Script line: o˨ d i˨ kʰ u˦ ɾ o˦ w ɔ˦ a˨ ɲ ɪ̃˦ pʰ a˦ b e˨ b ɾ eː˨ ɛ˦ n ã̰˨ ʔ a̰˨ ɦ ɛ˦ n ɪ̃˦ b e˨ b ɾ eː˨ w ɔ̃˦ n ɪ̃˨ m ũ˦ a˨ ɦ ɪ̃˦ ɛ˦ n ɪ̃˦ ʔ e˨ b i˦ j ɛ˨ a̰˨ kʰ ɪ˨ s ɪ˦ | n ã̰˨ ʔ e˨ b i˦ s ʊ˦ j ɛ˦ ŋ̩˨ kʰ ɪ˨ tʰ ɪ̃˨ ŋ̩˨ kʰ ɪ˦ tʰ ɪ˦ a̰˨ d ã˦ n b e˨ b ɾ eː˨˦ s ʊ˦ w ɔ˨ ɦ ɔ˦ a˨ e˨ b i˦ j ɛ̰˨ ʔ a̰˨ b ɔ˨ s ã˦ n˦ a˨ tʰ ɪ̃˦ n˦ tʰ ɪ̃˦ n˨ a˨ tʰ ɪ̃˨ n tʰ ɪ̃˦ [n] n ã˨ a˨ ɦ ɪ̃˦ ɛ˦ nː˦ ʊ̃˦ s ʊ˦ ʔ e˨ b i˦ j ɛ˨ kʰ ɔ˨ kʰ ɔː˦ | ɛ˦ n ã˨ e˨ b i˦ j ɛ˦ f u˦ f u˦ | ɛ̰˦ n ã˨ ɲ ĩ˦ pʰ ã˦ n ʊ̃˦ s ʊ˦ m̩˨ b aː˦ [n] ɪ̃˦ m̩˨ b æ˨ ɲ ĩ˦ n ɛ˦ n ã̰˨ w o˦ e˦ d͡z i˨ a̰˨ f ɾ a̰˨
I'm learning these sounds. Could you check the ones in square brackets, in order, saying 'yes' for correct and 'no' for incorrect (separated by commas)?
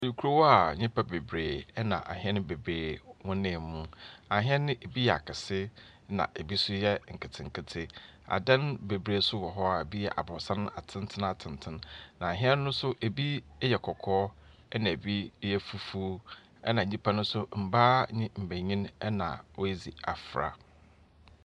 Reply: yes, no